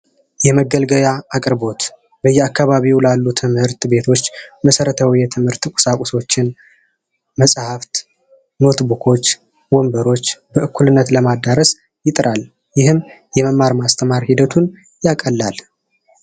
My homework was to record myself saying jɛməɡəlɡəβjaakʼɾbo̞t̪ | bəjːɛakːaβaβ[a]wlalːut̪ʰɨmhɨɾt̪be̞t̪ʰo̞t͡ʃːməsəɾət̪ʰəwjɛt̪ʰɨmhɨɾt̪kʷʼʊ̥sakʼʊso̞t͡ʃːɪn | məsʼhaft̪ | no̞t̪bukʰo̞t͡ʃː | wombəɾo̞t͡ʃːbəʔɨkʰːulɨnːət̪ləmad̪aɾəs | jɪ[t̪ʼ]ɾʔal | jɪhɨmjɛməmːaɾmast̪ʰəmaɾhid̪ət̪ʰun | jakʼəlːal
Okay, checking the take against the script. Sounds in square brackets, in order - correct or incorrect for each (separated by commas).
incorrect, correct